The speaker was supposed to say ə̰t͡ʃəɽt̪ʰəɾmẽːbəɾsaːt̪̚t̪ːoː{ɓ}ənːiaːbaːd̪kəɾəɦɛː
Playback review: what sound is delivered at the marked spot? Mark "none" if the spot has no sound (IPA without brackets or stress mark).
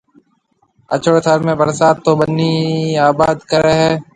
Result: b